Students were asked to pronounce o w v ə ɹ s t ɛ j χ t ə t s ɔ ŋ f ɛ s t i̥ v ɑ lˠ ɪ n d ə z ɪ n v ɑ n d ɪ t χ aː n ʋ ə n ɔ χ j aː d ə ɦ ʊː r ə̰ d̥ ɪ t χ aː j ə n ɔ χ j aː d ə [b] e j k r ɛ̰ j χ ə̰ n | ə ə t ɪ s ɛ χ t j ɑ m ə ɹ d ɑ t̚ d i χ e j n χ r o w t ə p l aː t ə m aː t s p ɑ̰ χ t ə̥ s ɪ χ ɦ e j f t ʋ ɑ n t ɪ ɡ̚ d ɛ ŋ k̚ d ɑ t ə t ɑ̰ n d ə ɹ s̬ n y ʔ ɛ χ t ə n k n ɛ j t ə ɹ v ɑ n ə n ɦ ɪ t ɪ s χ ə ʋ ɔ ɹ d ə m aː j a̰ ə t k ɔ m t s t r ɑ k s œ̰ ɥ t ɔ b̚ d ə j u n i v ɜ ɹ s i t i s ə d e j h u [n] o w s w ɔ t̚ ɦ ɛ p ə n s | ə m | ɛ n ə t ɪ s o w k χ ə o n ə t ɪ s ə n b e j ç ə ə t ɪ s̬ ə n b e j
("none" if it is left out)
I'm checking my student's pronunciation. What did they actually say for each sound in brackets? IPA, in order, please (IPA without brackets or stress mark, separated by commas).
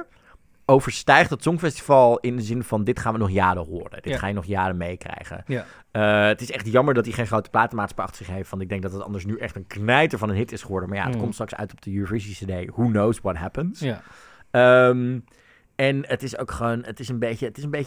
m, n